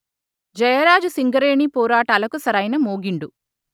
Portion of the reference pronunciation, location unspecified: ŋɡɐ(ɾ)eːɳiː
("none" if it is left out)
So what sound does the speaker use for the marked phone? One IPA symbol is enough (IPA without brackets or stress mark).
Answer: ɾ